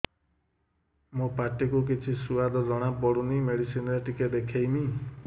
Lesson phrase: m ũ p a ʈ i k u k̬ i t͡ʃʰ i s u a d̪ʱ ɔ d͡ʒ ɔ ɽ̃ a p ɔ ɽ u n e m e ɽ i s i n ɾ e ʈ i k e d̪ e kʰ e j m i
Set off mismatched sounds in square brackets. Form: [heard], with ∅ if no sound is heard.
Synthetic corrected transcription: m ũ p a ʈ i k u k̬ i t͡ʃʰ i s u a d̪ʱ ɔ d͡ʒ ɔ ɽ̃ a p ɔ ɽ u n [i] m e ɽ i s i n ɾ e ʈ i k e d̪ e kʰ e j m i